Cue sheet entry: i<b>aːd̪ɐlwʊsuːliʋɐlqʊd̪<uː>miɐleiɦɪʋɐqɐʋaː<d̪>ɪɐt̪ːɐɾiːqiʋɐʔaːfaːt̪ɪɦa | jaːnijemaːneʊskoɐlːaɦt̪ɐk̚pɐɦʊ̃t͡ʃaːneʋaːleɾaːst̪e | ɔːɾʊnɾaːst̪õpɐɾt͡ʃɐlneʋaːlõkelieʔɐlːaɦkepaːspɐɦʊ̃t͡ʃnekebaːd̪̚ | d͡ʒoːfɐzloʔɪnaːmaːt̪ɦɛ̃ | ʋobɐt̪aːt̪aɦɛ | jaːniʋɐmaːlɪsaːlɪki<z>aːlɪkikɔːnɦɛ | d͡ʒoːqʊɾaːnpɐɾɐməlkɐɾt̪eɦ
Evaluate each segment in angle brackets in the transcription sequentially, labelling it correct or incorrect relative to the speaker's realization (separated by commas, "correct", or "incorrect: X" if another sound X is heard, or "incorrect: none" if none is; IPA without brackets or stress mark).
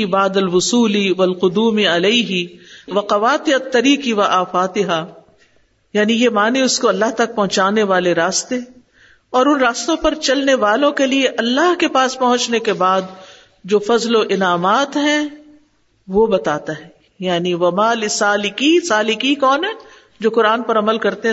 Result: correct, correct, incorrect: t̪, incorrect: s